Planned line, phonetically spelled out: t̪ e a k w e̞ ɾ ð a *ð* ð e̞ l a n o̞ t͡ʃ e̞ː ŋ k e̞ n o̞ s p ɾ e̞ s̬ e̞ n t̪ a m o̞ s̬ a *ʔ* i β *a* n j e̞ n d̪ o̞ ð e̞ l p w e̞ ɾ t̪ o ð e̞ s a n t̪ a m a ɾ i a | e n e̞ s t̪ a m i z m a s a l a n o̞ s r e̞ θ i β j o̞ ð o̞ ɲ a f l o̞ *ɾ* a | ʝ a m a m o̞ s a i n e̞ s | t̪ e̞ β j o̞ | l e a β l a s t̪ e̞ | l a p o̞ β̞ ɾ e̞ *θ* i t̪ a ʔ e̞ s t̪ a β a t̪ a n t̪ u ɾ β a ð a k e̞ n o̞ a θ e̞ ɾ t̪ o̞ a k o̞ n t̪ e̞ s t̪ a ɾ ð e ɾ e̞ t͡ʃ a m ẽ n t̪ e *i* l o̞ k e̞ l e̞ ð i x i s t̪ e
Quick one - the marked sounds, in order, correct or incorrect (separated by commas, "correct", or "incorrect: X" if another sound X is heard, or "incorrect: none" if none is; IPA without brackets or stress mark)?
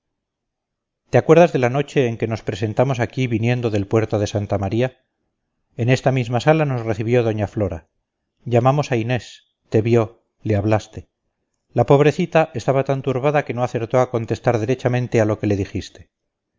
incorrect: z, incorrect: k, incorrect: i, correct, correct, incorrect: a